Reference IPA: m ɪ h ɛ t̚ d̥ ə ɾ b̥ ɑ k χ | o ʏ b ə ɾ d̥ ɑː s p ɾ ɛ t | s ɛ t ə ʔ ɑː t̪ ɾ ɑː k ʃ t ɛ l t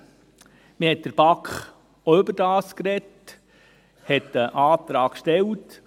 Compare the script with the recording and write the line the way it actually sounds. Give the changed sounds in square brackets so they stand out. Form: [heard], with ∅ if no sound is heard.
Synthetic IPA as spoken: m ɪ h ɛ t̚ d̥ ə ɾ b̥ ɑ k χ | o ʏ b ə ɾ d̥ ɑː s [k] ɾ ɛ t | [h] ɛ t ə ʔ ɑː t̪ ɾ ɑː k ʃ t ɛ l t